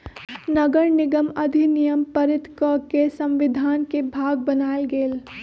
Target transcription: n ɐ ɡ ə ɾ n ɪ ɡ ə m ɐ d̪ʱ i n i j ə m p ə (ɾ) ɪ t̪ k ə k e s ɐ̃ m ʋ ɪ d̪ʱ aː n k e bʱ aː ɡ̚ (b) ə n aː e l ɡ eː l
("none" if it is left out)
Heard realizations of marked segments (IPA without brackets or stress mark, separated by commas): ɾ, b